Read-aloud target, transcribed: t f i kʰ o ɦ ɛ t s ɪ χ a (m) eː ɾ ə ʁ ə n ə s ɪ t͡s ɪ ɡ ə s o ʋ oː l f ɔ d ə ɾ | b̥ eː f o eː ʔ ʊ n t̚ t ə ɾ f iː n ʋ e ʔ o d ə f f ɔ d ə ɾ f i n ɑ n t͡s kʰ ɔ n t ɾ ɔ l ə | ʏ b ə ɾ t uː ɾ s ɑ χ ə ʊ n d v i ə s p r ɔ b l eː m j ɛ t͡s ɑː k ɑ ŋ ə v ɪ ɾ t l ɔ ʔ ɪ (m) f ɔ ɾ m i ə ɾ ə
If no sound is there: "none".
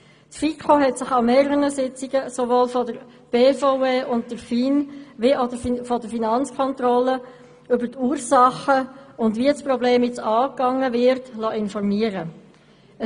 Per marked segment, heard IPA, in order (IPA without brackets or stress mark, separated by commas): m, n